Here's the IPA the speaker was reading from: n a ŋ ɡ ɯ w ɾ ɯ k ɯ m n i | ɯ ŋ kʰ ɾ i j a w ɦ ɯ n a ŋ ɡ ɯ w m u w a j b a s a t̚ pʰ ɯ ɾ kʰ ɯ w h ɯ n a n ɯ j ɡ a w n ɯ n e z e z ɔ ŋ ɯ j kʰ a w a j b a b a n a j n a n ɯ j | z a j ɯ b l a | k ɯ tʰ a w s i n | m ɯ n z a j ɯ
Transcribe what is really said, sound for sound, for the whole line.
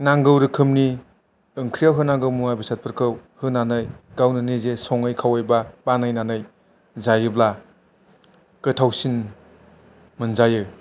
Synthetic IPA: n a ŋ ɡ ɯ w ɾ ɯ kʰ ɯ m n i | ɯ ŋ kʰ ɾ i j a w ɦ ɯ n a ŋ ɡ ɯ w m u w a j b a s a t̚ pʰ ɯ ɾ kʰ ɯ w h ɯ n a n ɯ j ɡ a w n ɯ n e z e s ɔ ŋ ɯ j kʰ a w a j b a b a n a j n a n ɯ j | z a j ɯ b l a | k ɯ tʰ a w s i n | m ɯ n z a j ɯ